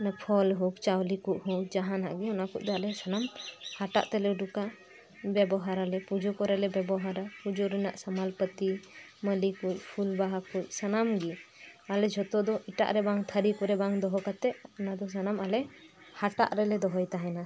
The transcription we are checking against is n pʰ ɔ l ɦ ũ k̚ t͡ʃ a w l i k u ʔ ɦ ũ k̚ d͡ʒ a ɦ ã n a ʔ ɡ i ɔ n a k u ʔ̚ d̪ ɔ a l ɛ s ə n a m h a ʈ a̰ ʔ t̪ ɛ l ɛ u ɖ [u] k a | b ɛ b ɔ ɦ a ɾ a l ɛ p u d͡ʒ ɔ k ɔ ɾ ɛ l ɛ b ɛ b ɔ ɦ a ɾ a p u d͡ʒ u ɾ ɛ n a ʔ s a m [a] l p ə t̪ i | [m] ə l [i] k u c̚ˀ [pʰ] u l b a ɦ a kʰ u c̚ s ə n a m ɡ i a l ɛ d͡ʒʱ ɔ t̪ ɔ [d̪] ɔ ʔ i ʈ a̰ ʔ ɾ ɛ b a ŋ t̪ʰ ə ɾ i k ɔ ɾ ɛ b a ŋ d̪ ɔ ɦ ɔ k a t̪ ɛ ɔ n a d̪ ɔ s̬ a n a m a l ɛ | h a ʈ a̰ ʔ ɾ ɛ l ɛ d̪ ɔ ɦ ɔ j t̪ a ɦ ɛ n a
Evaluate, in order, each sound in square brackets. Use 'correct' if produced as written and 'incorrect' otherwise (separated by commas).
correct, correct, correct, correct, correct, correct